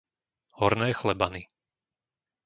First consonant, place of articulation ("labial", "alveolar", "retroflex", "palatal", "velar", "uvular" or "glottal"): glottal